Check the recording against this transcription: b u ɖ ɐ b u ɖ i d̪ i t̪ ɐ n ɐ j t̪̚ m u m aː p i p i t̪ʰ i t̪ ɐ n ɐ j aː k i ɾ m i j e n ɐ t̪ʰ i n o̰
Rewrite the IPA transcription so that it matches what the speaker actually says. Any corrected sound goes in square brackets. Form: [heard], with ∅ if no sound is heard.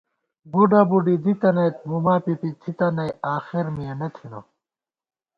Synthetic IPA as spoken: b u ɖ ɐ b u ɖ i d̪ i t̪ ɐ n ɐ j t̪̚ m u m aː p i p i t̪ʰ i t̪ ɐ n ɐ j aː [x] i ɾ m i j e n ɐ t̪ʰ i n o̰